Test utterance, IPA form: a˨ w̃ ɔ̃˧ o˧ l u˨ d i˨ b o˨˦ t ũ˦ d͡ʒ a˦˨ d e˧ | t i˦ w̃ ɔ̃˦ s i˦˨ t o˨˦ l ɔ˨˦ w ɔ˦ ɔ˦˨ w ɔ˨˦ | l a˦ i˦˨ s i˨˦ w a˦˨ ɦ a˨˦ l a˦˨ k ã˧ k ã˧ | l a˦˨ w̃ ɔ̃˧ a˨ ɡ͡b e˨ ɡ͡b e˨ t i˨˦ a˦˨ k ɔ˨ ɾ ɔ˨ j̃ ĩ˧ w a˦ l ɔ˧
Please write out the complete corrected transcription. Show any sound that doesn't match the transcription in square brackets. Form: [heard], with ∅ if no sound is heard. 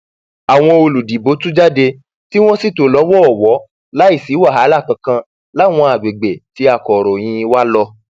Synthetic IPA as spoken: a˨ w̃ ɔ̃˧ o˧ l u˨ d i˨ b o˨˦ t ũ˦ d͡ʒ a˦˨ d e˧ | t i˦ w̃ ɔ̃˦ s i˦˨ t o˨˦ l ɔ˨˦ w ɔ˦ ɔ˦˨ w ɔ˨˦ | l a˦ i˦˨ s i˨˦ w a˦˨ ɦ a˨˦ l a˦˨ k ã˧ k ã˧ | l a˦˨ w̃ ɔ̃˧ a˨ ɡ͡b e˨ ɡ͡b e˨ t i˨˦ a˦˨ k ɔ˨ ɾ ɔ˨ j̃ ĩ˧ w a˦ l ɔ˧